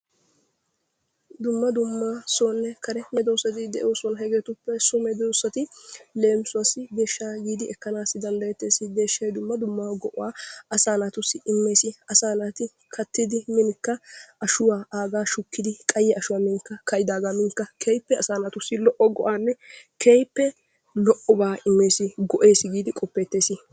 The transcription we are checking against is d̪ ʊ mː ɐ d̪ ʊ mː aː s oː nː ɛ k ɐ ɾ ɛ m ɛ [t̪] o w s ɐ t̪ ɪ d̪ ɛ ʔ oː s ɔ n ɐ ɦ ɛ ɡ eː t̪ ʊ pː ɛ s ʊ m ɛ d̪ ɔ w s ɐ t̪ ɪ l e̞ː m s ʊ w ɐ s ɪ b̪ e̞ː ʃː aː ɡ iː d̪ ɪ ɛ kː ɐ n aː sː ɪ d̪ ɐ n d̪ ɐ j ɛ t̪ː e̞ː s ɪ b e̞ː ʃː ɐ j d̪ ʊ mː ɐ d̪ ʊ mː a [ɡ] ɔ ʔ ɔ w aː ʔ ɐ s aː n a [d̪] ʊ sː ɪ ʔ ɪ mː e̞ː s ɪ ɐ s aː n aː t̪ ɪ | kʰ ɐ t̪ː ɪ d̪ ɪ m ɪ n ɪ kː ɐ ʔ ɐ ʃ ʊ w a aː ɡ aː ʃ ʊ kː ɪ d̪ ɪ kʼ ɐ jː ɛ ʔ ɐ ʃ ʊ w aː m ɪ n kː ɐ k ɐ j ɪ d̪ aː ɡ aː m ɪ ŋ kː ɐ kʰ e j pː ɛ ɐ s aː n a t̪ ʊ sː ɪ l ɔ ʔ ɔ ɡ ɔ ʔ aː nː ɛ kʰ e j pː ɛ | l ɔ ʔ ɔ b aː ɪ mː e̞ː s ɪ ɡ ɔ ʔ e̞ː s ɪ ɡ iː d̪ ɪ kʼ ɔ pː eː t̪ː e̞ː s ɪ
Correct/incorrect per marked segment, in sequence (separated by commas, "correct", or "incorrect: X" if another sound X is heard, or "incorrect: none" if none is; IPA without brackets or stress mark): incorrect: d̪, correct, incorrect: t̪